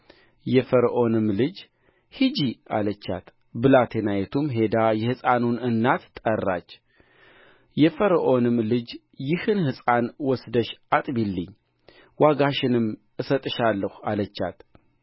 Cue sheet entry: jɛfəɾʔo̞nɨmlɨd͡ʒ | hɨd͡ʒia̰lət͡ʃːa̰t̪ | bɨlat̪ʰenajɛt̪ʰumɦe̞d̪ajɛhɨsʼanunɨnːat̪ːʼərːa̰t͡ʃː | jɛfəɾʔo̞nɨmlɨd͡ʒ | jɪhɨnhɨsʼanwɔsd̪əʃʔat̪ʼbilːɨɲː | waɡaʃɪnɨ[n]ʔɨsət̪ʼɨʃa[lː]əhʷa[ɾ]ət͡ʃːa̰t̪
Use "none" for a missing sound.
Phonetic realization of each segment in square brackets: m, lː, l

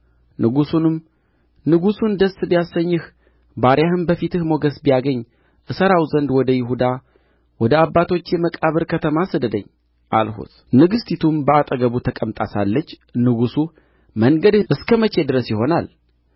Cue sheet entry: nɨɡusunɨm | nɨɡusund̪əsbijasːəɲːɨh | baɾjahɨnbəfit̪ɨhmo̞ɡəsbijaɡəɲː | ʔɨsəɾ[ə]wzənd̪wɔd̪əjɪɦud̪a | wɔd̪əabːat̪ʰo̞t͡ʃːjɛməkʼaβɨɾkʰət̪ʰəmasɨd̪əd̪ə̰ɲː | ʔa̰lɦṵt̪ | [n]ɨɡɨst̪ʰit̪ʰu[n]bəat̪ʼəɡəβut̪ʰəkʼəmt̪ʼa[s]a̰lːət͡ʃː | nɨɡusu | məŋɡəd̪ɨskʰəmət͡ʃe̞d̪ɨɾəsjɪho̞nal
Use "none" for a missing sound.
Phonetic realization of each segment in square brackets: a, n, m, s

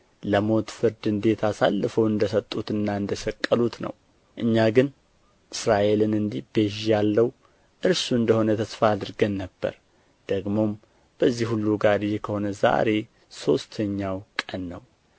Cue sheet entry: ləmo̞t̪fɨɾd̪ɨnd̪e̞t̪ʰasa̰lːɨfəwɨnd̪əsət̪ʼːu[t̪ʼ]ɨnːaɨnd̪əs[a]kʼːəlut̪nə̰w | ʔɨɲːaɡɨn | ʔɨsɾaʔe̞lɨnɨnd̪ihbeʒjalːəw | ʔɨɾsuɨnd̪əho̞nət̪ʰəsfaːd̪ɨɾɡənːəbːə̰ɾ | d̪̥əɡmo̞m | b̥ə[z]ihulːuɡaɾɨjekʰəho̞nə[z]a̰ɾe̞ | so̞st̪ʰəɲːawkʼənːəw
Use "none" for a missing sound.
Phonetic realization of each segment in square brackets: t̪, ə, zː, z

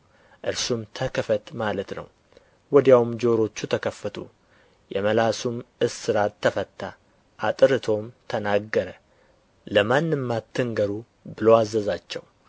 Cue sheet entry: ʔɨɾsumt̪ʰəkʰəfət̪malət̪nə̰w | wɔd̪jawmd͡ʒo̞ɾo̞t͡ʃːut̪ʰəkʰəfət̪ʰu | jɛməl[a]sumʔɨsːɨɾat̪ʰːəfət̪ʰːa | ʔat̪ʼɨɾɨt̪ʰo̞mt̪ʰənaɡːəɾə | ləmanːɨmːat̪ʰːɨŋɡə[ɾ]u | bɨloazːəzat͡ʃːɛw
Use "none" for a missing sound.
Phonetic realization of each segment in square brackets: a, ɾ

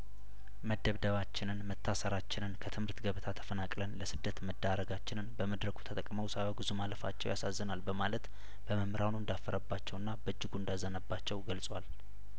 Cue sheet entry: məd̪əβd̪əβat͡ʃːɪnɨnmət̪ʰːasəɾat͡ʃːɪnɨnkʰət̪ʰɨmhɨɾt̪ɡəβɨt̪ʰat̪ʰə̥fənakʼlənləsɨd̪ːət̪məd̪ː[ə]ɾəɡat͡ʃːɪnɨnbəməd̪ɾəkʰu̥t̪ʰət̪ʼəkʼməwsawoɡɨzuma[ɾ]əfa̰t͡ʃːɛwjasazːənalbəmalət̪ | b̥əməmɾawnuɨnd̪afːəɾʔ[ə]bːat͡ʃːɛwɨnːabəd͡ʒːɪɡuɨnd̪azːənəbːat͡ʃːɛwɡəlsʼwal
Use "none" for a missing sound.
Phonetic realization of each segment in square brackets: a, l, ə

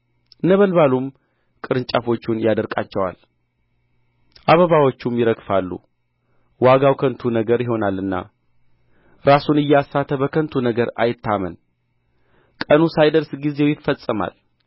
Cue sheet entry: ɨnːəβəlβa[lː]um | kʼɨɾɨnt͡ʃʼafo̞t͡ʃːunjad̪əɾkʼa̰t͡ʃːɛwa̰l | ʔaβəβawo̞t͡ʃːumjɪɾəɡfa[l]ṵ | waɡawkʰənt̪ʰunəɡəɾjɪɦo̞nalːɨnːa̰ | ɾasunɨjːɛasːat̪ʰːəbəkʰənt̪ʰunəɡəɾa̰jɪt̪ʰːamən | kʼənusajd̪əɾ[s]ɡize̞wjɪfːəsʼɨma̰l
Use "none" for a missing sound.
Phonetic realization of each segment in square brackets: l, lː, s

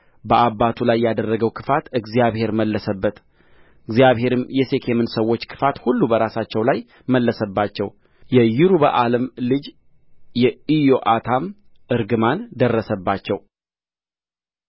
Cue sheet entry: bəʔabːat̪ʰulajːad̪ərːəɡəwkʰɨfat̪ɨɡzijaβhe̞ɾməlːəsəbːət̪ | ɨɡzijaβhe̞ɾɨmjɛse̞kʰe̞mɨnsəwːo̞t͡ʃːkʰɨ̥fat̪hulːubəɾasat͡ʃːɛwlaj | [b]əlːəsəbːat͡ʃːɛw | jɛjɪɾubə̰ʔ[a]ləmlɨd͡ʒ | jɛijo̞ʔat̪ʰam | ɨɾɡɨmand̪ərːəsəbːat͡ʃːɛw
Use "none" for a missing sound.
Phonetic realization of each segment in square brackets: m, a

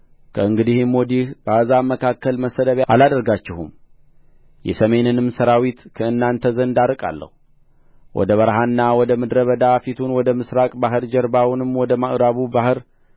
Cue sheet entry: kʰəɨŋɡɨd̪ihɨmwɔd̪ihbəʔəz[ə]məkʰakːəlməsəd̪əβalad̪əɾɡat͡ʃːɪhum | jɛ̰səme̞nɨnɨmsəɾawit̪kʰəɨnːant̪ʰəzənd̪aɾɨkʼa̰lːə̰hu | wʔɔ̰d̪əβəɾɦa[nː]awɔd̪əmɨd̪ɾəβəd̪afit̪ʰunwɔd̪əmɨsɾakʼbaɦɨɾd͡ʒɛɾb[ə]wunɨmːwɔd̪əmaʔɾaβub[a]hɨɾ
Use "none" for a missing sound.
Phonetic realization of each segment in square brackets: a, nː, a, a

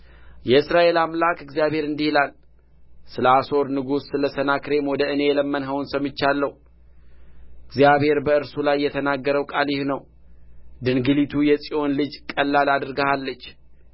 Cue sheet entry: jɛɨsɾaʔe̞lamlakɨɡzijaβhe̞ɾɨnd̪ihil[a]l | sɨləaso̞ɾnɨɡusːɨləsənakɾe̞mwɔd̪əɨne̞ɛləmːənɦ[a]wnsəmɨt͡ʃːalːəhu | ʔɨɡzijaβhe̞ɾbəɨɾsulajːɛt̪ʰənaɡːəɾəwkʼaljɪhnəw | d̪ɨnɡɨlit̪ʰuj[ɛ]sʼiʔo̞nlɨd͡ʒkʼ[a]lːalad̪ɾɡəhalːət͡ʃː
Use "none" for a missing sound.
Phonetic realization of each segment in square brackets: a, ə, ɛ, ə

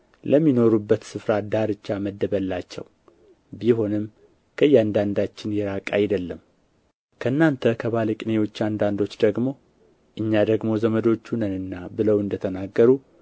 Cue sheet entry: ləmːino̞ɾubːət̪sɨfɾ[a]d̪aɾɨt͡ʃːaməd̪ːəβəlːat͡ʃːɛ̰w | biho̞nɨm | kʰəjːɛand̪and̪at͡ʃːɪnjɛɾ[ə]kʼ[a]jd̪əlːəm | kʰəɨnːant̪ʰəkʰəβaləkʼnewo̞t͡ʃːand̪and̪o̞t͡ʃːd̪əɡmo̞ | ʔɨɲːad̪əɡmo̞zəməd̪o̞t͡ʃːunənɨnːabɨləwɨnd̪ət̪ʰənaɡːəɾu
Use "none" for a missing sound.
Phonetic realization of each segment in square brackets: a, a, a

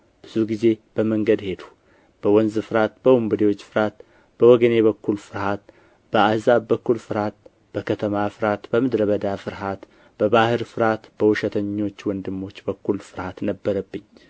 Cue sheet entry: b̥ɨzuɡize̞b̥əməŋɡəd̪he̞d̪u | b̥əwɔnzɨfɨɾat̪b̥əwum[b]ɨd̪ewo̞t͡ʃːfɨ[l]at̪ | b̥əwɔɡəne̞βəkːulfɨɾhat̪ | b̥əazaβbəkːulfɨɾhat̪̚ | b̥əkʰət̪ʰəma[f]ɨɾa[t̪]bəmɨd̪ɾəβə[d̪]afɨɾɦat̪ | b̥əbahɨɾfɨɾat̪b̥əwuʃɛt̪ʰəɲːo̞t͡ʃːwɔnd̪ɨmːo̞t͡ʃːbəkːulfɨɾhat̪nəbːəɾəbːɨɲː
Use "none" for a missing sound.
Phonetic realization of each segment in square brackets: b, ɾ, f, t̪, d̪

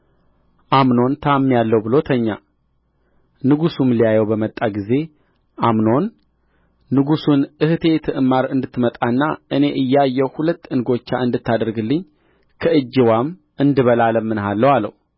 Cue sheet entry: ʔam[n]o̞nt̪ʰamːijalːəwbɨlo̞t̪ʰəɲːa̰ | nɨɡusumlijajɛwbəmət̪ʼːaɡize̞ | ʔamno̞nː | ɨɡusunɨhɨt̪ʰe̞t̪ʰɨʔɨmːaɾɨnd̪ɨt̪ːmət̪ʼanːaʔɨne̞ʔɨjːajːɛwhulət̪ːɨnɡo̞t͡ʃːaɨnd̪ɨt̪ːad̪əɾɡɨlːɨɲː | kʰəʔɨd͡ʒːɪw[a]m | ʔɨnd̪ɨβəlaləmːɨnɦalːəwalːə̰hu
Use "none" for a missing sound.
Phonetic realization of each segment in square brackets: n, a

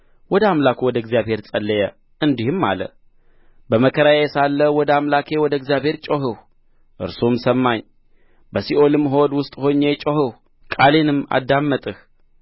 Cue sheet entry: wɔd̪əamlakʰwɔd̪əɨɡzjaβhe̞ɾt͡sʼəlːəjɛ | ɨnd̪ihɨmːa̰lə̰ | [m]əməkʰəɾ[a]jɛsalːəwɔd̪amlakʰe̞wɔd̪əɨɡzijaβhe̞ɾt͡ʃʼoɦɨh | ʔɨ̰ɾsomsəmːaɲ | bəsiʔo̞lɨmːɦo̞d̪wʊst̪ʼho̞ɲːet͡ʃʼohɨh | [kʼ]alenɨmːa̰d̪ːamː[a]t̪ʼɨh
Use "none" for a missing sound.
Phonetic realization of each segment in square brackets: b, a, kʼ, ə

